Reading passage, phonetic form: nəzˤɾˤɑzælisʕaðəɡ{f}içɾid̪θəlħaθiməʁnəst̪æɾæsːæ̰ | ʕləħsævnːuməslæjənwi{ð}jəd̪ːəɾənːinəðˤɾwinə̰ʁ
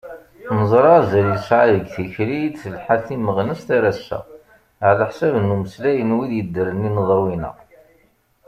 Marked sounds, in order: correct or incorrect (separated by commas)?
incorrect, correct